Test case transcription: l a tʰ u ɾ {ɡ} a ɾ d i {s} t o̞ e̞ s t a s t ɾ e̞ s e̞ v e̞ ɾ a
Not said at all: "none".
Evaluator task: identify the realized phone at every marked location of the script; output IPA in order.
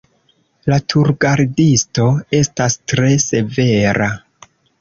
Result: ɡ, s

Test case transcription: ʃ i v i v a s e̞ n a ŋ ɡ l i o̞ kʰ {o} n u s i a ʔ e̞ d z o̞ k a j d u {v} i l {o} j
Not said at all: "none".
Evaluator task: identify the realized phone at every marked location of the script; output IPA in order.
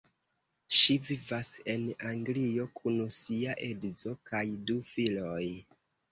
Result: u, f, o

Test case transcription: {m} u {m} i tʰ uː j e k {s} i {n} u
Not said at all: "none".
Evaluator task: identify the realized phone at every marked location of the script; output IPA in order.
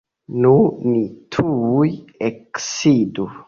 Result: n, n, s, d

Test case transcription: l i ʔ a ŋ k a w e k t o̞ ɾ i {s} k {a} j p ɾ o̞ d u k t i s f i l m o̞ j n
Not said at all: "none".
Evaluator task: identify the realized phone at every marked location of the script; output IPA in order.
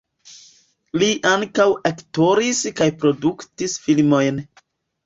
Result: s, a

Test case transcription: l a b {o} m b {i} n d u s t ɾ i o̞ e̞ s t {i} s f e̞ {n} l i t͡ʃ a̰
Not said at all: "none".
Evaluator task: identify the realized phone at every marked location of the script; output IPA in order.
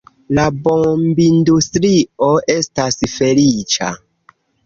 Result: o, i, a, none

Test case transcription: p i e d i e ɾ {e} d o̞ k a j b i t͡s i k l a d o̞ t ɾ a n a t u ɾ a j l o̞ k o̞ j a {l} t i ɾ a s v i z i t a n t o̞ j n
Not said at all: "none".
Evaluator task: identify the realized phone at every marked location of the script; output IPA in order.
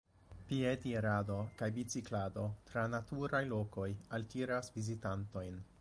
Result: a, l

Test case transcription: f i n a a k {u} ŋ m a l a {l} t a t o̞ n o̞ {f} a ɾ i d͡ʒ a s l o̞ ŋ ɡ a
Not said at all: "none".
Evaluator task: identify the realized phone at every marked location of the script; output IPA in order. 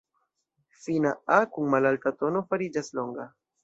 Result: u, l, f

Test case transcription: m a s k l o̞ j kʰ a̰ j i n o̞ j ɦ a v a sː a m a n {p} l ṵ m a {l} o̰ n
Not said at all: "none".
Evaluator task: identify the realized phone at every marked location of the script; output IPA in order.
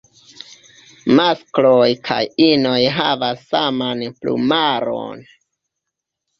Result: p, ɾ

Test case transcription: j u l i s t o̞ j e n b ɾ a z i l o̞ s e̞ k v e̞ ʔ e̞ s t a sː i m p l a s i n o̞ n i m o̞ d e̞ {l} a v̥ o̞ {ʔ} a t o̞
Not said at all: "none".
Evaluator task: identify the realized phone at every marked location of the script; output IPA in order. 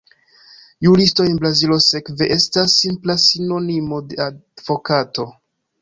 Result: none, k

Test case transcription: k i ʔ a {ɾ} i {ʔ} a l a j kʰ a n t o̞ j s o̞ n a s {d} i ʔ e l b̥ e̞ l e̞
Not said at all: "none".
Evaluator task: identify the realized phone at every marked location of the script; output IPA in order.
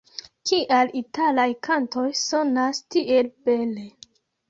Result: l, t, t

